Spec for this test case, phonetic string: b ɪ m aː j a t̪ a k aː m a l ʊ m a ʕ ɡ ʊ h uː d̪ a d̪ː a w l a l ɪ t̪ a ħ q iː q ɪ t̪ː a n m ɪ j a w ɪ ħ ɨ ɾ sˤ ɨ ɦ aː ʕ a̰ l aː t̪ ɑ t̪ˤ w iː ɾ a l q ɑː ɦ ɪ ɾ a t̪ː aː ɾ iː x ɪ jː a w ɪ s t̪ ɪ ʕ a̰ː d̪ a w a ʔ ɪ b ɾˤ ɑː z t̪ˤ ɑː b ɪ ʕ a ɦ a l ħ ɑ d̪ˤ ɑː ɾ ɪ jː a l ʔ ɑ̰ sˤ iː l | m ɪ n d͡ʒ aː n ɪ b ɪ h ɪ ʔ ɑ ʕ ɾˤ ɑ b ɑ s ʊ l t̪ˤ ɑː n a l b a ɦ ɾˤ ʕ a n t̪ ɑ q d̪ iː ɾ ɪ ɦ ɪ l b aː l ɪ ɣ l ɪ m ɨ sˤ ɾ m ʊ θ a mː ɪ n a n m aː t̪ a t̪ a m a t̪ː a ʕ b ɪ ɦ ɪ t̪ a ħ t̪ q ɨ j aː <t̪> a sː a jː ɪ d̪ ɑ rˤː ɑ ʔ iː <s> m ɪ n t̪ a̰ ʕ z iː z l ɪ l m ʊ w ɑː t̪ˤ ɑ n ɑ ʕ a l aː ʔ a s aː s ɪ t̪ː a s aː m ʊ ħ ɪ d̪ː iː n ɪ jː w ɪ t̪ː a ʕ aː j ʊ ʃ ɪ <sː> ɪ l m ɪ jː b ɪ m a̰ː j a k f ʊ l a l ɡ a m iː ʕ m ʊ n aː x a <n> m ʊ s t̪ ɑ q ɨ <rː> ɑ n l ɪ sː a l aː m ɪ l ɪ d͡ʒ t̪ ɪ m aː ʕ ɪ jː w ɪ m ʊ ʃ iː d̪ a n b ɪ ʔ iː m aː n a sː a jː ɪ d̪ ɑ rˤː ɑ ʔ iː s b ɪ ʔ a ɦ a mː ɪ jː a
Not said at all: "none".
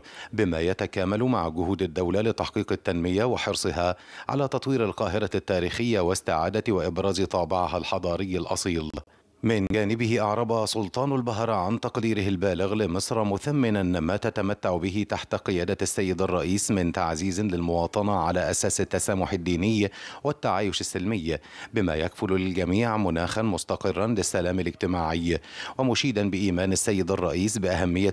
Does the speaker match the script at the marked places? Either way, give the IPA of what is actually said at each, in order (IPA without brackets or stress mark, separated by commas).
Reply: d̪, s, sː, n, rː